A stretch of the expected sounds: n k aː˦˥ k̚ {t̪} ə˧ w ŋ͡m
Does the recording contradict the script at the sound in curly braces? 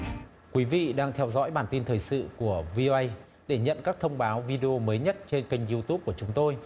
yes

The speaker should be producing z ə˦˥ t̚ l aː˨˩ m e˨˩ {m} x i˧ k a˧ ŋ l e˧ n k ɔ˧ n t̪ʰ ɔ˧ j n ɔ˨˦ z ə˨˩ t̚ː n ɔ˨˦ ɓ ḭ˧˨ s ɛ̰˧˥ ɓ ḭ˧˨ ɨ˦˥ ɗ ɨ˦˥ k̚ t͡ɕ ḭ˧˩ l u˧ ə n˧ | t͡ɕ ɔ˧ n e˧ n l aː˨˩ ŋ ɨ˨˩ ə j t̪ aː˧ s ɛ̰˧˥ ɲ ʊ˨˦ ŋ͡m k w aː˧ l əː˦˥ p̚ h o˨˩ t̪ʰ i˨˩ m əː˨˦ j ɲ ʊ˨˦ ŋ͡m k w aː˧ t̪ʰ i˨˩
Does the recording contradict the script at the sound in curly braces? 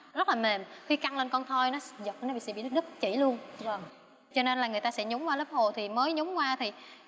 no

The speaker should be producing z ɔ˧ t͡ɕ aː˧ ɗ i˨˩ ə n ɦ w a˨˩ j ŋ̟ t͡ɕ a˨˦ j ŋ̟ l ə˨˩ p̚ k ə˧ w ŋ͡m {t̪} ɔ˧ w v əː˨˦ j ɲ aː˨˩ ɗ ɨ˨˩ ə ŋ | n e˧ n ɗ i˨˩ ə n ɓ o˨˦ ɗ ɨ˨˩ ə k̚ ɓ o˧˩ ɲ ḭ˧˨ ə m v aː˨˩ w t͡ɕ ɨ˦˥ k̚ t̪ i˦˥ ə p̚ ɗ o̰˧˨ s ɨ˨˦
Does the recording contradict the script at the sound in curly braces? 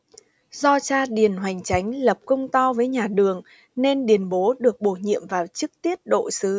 no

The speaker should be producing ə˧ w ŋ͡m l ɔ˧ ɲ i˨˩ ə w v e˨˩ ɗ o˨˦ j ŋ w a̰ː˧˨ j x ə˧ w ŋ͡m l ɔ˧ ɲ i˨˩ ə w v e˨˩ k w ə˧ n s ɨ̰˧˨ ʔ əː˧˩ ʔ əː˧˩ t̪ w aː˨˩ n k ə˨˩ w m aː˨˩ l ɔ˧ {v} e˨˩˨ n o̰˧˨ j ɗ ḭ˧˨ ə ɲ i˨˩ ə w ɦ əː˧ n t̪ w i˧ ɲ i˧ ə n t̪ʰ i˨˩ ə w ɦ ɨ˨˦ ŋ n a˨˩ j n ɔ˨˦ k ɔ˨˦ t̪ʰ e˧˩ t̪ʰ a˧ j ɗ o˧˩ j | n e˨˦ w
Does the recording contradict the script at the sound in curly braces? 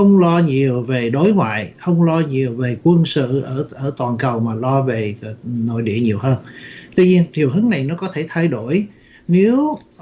no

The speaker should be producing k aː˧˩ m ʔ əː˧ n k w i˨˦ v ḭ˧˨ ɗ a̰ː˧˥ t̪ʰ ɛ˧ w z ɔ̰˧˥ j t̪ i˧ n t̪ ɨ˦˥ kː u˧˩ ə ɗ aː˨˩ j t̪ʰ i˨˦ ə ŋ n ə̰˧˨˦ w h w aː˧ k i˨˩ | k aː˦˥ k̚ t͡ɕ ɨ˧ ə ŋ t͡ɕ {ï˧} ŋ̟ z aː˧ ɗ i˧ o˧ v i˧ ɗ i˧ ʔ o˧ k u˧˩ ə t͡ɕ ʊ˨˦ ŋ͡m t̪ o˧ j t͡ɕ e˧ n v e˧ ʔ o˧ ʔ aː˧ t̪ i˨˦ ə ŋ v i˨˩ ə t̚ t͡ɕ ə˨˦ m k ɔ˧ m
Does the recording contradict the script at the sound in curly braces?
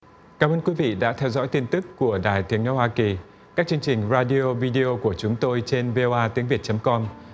yes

